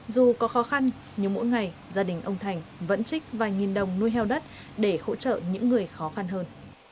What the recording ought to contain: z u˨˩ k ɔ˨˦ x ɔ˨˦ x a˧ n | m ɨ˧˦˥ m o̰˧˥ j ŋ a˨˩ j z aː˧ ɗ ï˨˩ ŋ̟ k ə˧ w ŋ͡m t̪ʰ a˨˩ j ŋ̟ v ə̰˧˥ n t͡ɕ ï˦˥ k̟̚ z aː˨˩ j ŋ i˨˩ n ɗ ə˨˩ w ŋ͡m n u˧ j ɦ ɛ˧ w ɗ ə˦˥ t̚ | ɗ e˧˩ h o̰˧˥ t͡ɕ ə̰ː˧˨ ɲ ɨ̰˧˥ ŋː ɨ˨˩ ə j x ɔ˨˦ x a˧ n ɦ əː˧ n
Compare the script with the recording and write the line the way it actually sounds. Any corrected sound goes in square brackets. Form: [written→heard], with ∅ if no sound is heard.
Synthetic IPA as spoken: z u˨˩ k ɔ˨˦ x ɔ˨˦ x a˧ n | [m→ɲ] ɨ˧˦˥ m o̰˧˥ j ŋ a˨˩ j z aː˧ ɗ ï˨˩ ŋ̟ [k→ʔ] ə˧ w ŋ͡m t̪ʰ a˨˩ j ŋ̟ v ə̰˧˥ n t͡ɕ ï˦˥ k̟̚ [z→v] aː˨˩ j ŋ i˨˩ n ɗ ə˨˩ w ŋ͡m n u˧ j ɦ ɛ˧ w ɗ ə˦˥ t̚ | ɗ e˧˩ h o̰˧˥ t͡ɕ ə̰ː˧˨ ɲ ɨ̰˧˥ ŋː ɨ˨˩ ə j x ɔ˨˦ x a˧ n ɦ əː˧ n